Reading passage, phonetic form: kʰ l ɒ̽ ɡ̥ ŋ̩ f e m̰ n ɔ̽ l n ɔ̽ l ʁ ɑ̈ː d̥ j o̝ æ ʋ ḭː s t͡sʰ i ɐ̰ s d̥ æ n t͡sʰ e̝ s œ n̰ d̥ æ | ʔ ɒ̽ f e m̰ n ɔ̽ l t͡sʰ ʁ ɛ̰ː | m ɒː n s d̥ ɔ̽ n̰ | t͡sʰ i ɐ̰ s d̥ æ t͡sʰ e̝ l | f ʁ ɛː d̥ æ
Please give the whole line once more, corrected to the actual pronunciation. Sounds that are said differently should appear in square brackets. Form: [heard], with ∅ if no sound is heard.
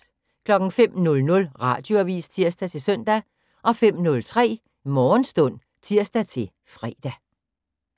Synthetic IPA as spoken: kʰ l ɒ̽ ɡ̥ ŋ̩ f e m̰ n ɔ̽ l n ɔ̽ l ʁ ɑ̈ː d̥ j o̝ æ ʋ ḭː s t͡sʰ i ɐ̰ s d̥ æ [∅] t͡sʰ e̝ s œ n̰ d̥ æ | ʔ ɒ̽ f e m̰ n ɔ̽ l t͡sʰ ʁ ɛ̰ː | m ɒː n s d̥ ɔ̽ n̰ | t͡sʰ i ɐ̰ s d̥ æ t͡sʰ e̝ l | f ʁ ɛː d̥ æ